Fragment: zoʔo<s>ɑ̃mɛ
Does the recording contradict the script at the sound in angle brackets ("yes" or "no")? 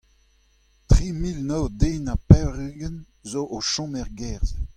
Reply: yes